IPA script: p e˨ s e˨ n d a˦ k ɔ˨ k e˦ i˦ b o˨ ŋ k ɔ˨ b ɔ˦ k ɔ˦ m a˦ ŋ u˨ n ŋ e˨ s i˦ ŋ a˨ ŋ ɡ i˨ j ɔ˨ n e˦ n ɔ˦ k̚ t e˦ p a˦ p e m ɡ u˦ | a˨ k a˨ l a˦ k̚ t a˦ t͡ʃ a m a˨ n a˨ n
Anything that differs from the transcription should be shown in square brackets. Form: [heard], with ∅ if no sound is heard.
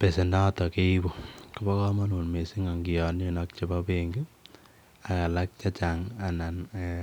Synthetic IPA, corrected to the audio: p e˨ s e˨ n d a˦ [t] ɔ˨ k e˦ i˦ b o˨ [∅] k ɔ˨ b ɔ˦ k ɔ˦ m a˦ [n] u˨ n [m] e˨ s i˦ ŋ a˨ ŋ ɡ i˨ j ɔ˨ n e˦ n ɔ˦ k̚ [t͡ʃ] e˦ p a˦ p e [ŋ] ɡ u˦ | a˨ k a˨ l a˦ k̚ [t͡ʃ] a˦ t͡ʃ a [ŋ] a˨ n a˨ n